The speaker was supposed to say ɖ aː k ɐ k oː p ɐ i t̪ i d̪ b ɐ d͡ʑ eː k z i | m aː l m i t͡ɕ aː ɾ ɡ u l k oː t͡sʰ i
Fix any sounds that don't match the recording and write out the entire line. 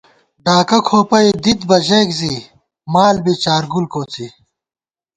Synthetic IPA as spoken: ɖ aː k ɐ kʰ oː p ɐ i d̪ i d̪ b ɐ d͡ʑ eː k z i | m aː l b i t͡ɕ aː ɾ ɡ u l k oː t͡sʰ i